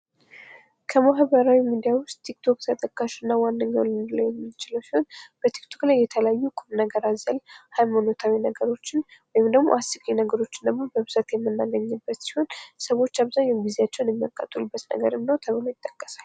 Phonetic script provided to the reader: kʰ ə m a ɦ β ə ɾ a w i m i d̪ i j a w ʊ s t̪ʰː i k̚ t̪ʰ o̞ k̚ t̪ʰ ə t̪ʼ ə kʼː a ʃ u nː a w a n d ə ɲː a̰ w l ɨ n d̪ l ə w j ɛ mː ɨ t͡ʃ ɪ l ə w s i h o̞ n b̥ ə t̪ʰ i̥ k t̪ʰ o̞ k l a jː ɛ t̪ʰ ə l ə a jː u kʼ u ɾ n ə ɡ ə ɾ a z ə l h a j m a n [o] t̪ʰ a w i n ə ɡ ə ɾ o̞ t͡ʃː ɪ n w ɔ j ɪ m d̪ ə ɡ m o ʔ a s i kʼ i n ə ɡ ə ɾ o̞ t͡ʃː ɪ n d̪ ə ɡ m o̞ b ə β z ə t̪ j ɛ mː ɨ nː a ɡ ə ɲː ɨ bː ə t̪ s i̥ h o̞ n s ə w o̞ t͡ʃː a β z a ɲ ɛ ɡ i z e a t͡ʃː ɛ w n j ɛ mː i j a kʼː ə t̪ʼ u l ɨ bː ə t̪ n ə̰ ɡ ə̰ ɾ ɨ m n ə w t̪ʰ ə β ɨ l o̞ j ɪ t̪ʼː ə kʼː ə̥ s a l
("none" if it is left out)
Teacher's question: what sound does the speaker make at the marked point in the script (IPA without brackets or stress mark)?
o